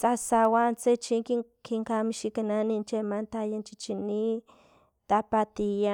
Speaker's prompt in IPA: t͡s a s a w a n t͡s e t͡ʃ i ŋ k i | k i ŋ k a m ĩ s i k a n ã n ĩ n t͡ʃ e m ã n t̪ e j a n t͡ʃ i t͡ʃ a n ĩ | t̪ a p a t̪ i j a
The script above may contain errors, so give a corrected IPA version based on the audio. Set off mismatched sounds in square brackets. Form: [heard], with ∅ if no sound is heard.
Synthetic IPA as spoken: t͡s a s a w a n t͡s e t͡ʃ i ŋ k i | k i ŋ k a m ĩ [ʃ] i k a n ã n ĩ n t͡ʃ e m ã n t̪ [a] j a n t͡ʃ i t͡ʃ [i] n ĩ | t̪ a p a t̪ i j a